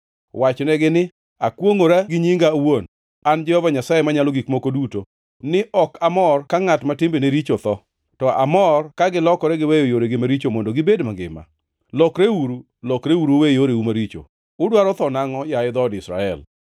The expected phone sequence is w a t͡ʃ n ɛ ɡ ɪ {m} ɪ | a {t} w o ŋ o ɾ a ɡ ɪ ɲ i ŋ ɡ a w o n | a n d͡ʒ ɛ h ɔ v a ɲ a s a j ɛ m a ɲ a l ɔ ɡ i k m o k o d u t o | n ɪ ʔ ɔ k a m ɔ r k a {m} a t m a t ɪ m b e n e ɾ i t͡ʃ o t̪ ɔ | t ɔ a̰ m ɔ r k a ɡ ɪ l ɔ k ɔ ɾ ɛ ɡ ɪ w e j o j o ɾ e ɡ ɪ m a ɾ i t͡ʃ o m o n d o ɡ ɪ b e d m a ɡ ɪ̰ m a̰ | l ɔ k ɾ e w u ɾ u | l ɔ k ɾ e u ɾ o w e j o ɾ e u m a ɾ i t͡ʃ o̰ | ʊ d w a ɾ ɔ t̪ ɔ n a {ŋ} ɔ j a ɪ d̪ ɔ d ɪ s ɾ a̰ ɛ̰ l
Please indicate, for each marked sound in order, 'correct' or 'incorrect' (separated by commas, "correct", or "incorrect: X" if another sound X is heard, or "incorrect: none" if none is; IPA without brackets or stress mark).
incorrect: n, incorrect: k, incorrect: ŋ, correct